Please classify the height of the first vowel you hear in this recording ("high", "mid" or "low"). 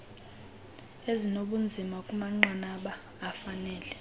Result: mid